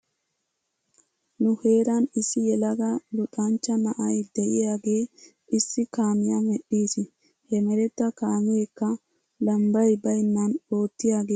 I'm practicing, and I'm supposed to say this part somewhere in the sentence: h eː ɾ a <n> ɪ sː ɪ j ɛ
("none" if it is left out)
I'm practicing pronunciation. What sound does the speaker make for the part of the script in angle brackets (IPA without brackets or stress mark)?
n